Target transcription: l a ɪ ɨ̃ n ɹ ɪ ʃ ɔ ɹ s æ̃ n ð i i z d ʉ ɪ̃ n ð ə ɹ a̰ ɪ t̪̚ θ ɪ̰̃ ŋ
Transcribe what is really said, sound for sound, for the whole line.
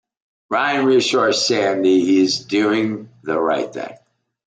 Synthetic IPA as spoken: ɹ a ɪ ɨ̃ n ɹ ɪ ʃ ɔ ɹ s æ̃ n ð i i z d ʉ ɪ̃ ŋ ð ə ɹ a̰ ɪ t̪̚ θ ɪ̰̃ ŋ

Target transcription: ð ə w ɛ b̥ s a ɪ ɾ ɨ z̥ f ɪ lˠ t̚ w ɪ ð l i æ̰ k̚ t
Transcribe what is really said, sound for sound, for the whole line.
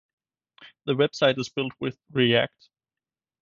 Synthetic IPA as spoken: ð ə w ɛ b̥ s a ɪ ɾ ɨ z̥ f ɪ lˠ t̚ w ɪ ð ɹ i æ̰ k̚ t

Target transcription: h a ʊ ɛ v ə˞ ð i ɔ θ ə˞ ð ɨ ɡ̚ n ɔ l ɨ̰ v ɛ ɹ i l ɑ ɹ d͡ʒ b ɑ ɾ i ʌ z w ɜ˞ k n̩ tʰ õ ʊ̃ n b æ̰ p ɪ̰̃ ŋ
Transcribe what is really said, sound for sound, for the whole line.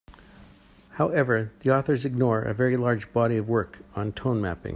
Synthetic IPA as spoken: h a ʊ ɛ v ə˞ ð i ɔ θ ə˞ z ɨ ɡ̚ n ɔ ɹ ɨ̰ v ɛ ɹ i l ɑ ɹ d͡ʒ b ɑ ɾ i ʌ v w ɜ˞ k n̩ tʰ õ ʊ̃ n m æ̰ p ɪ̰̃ ŋ

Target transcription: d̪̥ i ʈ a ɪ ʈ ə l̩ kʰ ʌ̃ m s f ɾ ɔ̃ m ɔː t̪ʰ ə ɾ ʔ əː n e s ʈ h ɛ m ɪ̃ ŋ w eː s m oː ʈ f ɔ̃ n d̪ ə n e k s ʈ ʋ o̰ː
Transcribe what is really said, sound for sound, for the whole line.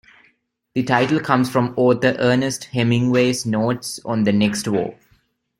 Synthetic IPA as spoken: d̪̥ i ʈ a ɪ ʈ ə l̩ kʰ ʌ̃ m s f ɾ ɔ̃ m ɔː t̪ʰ ə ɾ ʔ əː n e s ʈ h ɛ m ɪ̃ ŋ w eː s n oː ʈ s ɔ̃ n d̪ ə n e k s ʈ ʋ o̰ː

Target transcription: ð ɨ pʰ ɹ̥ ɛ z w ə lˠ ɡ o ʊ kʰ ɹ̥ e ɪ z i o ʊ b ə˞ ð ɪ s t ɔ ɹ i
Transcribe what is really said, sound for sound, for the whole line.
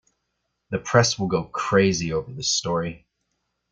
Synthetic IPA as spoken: ð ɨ pʰ ɹ̥ ɛ s w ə lˠ ɡ o ʊ kʰ ɹ̥ e ɪ z i o ʊ v ə˞ ð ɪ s t ɔ ɹ i

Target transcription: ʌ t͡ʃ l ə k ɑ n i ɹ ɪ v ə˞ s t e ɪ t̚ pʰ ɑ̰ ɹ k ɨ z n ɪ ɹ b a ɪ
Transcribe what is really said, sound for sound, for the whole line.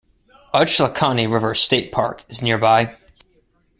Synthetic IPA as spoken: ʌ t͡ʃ l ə kʰ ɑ n i ɹ ɪ v ə˞ s t e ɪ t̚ pʰ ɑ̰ ɹ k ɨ z n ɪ ɹ b a ɪ

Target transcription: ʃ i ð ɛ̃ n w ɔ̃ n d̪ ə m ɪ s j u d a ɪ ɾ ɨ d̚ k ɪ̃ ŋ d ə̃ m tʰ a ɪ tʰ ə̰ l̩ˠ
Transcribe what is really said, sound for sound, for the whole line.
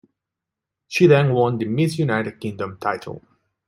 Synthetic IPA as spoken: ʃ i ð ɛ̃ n w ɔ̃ n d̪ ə m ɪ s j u n a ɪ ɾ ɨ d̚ k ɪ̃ ŋ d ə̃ m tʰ a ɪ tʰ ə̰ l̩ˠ

